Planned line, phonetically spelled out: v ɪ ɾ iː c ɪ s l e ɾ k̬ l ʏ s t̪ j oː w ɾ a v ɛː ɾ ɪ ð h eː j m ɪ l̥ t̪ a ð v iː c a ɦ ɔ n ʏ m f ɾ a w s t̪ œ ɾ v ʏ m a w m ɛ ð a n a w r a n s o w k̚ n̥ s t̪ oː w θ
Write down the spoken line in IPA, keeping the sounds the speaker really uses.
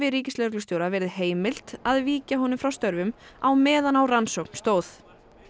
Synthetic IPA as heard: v ɪ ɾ iː c ɪ s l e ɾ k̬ l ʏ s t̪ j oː w ɾ a v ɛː ɾ ɪ ð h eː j m ɪ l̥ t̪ a ð v iː c a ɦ ɔ n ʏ m f ɾ a w s t̪ œ ɾ v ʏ m a w m ɛː ð a n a w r a n s o w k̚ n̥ s t̪ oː w θ